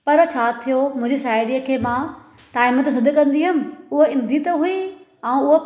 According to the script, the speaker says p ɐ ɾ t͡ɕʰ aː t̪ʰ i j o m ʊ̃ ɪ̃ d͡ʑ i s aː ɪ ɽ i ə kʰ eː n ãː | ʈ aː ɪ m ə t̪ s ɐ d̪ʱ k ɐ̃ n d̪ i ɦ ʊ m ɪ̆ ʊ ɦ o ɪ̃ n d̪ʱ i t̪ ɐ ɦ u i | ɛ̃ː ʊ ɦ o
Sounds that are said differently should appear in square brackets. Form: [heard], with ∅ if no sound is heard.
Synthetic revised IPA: p ɐ ɾ t͡ɕʰ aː t̪ʰ i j o m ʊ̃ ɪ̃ d͡ʑ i s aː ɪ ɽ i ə kʰ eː [m] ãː | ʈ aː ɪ m ə t̪ s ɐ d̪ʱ k ɐ̃ n d̪ i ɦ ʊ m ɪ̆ ʊ ɦ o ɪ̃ n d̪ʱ i t̪ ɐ ɦ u i | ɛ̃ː ʊ ɦ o